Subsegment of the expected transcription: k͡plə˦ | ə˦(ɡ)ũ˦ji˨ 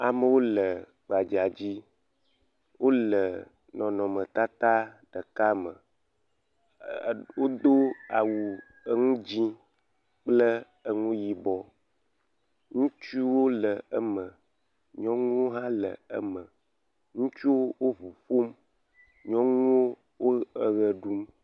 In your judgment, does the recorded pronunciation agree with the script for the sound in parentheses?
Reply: no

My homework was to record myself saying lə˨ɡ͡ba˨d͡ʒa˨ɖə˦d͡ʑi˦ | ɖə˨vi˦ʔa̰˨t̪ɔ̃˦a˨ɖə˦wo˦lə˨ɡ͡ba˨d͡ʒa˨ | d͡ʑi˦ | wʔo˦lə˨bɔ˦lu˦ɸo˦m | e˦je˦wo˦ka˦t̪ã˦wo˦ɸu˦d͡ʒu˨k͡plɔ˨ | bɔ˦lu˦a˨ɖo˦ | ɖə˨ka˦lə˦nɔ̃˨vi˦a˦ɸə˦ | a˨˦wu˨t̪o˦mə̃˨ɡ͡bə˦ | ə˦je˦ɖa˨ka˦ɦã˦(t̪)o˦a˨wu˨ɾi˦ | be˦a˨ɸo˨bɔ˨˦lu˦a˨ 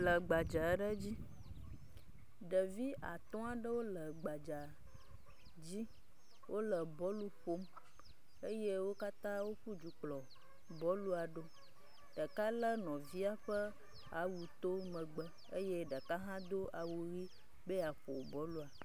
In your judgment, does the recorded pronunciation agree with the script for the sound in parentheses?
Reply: no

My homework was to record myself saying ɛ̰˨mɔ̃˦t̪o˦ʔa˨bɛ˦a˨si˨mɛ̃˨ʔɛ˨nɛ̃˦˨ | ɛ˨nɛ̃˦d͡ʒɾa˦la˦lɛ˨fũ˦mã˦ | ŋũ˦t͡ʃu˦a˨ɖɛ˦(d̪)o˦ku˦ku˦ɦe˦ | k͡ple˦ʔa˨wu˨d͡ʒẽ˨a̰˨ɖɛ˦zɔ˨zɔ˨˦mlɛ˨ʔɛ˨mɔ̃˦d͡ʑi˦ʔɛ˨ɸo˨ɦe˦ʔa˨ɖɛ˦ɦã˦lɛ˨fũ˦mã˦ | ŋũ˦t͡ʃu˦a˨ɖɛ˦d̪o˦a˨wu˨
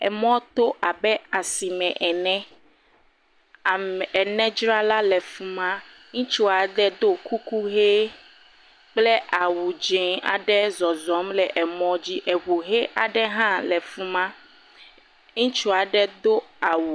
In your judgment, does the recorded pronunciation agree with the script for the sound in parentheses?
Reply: yes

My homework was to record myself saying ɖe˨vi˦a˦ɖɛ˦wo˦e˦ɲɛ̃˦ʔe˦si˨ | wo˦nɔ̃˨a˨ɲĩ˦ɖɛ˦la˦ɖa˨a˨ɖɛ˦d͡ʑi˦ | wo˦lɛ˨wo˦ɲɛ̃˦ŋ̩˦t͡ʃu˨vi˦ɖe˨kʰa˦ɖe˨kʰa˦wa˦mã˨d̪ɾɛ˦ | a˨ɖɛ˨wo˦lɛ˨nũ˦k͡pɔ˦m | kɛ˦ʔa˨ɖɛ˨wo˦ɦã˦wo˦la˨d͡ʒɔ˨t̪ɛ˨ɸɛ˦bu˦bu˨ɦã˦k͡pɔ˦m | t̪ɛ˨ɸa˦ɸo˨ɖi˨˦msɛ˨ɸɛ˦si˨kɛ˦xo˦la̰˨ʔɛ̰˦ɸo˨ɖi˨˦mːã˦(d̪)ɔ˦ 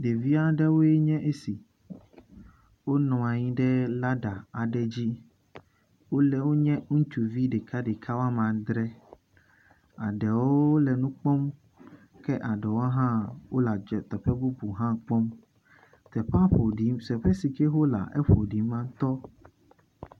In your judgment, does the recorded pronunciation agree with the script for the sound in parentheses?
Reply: no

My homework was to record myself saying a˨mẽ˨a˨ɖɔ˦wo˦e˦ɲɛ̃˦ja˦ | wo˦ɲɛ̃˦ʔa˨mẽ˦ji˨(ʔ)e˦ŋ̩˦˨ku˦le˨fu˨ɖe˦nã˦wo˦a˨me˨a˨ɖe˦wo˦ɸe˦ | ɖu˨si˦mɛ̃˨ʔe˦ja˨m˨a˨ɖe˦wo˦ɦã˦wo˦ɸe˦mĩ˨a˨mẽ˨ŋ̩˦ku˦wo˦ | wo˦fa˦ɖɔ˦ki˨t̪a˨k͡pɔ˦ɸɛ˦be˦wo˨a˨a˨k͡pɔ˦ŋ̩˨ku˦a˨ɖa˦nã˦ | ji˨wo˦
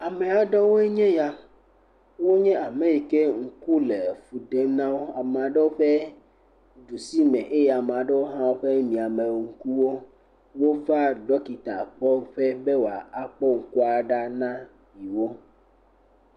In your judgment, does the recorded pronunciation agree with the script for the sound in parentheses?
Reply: no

